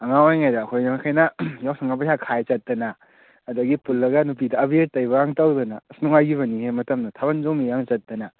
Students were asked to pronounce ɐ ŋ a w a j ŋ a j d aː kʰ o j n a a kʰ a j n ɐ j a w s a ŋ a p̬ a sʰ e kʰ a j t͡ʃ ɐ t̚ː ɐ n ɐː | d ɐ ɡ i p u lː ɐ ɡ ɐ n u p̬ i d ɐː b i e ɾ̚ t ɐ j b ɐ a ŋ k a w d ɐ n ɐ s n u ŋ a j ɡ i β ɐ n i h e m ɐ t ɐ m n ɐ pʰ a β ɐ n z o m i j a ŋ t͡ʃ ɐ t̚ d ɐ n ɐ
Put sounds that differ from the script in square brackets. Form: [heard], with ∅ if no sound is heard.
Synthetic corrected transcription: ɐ ŋ a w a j ŋ a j d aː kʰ o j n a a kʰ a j n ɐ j a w s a ŋ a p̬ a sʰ [a] kʰ a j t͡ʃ ɐ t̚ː ɐ n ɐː | d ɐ ɡ i p u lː ɐ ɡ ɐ n u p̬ i d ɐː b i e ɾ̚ t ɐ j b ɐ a ŋ [t] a w d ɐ n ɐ s n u ŋ a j ɡ i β ɐ n i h e m ɐ t ɐ m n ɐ [tʰ] a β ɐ n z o m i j a ŋ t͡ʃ ɐ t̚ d ɐ n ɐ